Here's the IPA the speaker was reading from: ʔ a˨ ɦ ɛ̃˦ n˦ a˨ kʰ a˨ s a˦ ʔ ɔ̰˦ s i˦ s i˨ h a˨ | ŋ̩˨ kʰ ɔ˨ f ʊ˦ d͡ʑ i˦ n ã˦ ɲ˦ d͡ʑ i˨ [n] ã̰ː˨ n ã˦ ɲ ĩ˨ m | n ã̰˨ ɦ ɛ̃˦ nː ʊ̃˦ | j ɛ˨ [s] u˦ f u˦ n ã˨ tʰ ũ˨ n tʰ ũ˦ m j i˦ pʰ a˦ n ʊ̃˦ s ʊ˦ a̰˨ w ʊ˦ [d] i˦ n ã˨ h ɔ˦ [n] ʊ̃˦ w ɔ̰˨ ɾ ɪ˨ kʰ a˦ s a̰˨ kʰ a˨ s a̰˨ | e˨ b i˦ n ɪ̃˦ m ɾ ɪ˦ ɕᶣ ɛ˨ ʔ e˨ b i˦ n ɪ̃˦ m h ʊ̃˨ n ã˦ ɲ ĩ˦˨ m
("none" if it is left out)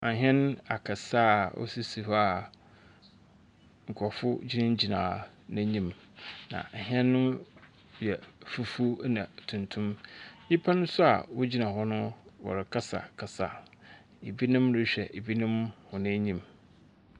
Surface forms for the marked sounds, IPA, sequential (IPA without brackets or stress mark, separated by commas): n, f, d͡ʑ, n